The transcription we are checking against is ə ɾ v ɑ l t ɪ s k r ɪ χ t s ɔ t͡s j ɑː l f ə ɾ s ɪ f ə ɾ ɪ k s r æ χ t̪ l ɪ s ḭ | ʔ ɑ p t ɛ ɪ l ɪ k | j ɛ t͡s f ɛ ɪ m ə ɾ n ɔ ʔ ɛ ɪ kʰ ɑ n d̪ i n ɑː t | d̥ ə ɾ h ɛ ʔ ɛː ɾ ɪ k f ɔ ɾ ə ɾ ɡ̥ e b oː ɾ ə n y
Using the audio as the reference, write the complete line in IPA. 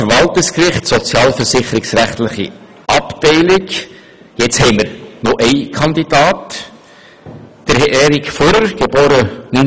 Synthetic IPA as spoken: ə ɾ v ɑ l t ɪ s k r ɪ χ t s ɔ t͡s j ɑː l f ə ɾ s ɪ χ ə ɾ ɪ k s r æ χ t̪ l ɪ χ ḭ | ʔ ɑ p t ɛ ɪ l ɪ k | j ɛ t͡s h ɛ ɪ m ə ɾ n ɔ ʔ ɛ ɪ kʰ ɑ n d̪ i d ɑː t | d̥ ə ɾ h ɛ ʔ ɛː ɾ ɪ k f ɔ ɾ ə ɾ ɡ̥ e b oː ɾ ə n y